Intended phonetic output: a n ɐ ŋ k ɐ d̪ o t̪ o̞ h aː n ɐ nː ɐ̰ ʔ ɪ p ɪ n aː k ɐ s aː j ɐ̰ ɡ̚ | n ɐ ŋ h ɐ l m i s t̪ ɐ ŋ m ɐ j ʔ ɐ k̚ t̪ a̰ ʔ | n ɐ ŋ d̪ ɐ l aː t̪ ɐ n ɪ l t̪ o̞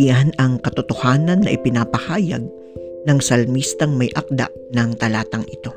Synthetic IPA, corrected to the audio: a n ɐ ŋ k ɐ t̪ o t̪ o̞ h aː n ɐ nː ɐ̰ ʔ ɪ p ɪ n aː p ɐ h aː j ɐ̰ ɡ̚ | n ɐ ŋ s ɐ l m i s t̪ ɐ ŋ m ɐ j ʔ ɐ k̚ d̪ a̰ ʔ | n ɐ ŋ t̪ ɐ l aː t̪ ɐ ŋ ɪ t̪ o̞